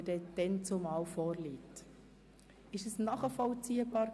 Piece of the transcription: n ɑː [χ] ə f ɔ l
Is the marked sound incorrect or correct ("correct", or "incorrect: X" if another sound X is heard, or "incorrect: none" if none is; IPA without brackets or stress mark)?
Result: correct